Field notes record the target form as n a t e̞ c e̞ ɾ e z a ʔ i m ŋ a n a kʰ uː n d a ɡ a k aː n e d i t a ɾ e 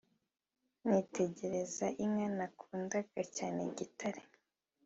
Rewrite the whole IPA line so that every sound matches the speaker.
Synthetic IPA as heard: n i t e̞ ɟ e̞ ɾ e z a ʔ i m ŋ a n a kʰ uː n d a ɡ a c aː n e ɟ i t a ɾ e

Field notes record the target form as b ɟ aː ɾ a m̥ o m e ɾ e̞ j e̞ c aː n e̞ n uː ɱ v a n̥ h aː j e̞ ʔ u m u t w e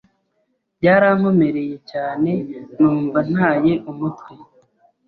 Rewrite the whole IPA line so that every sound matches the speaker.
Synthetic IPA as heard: b ɟ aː ɾ a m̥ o m e ɾ e̞ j e̞ c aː n e̞ n uː ɱ v a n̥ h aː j e̞ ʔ u m u t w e

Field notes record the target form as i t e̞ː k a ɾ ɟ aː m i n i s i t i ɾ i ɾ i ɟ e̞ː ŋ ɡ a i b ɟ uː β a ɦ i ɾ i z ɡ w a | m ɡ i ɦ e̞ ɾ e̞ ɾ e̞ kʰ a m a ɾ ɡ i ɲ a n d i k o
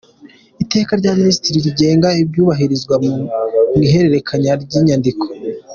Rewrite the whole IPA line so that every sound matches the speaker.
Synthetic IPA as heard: i t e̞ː k a ɾ ɟ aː m i n i s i t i ɾ i ɾ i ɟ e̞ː ŋ ɡ a i b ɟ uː β a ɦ i ɾ i z ɡ w a | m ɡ i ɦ e̞ ɾ e̞ ɾ e̞ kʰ a ɲ a ɾ ɟ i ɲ a n d i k o

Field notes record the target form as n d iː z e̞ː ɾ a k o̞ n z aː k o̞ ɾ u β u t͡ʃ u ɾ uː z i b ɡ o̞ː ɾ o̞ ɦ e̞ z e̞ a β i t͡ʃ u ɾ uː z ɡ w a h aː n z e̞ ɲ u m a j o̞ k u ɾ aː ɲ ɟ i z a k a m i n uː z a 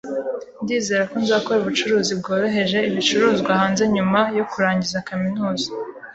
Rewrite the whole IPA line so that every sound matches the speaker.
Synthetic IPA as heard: n d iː z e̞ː ɾ a k o̞ n z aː k o̞ ɾ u β u t͡ʃ u ɾ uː z i b ɡ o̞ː ɾ o̞ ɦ e̞ ʒ e̞ i β i t͡ʃ u ɾ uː z ɡ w a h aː n z e̞ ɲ u m a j o̞ k u ɾ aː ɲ ɟ i z a k a m i n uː z a

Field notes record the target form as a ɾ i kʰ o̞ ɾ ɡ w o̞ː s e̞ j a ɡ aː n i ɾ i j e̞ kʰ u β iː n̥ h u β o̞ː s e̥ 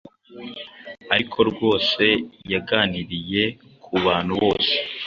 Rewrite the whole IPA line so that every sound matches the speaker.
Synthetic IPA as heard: a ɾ i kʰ o̞ ɾ ɡ w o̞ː s e̞ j a ɡ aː n i ɾ i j e̞ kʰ u β aː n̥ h u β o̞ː s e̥

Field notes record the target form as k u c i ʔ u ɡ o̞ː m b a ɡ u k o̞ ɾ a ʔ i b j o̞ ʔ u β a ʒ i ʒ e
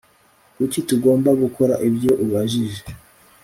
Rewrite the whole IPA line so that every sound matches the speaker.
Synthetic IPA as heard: k u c i t u ɡ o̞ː m b a ɡ u k o̞ ɾ a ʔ i b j o̞ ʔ u β a ʒ i ʒ e

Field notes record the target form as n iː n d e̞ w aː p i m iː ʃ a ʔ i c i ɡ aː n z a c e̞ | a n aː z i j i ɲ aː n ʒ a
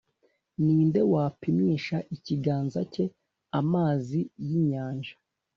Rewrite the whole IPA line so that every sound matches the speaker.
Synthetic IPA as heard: n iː n d e̞ w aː p i m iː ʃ a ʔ i c i ɡ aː n z a c e̞ | a m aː z i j i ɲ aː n ʒ a

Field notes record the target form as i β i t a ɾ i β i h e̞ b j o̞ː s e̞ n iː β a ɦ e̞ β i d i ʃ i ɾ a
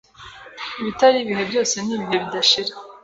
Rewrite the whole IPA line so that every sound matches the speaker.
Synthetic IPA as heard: i β i t a ɾ i β i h e̞ b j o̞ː s e̞ n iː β i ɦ e̞ β i d a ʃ i ɾ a

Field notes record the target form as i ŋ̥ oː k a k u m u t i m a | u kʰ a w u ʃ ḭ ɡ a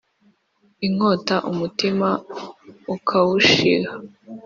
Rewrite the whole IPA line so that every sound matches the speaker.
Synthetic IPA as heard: i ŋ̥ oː t a ʔ u m u t i m a | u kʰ a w u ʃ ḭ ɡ a

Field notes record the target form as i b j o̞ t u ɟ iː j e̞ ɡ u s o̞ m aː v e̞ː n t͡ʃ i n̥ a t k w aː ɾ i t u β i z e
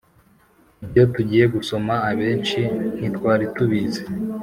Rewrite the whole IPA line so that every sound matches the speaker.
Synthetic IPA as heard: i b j o̞ t u ɟ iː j e̞ ɡ u s o̞ m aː β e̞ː n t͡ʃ i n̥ i t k w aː ɾ i t u β i z e

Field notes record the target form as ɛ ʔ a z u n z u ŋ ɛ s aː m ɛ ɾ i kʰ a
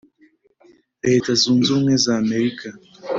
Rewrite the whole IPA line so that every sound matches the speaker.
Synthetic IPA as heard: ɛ t a z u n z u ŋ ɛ z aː m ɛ ɾ i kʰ a

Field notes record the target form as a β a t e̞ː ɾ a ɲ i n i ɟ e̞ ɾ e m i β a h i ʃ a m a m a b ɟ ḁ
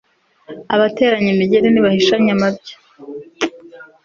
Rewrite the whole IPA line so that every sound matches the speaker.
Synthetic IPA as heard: a β a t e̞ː ɾ a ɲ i m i ɟ e̞ ɾ e n i β a h i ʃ a ɲ a m a b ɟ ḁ

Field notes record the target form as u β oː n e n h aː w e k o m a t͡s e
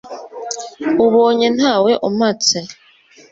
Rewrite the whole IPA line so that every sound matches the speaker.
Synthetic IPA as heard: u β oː ɲ e n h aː w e ʔ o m a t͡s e

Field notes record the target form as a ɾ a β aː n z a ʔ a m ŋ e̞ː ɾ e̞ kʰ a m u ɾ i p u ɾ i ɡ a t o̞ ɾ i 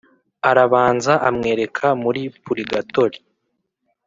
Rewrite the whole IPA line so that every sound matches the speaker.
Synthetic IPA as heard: a ɾ a β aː n z a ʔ a m ŋ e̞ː ɾ e̞ kʰ a m u ɾ i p u ɾ i ɡ a t o̞ ɾ i

